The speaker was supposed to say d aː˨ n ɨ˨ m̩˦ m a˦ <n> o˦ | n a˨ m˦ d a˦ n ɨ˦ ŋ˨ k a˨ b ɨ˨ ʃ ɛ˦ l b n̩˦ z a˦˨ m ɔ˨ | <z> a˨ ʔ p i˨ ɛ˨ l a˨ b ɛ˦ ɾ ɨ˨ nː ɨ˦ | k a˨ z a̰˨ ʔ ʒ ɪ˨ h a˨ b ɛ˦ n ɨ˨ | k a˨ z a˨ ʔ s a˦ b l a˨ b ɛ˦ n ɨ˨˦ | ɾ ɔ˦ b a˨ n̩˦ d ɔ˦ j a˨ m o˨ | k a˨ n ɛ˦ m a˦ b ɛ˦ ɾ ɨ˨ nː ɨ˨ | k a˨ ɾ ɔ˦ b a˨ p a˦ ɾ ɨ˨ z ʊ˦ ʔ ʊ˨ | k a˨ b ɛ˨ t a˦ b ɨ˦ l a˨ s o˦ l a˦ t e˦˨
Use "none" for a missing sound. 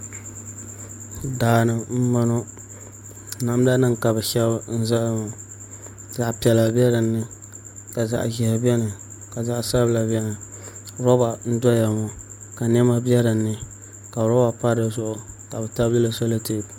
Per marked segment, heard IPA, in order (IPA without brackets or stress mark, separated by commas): n, z